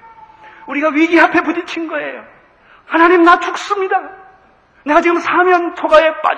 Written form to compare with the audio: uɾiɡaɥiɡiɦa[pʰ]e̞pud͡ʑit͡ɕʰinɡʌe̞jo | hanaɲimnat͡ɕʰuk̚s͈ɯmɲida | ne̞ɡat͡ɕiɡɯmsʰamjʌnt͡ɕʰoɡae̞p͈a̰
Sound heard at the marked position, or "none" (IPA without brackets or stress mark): pʰ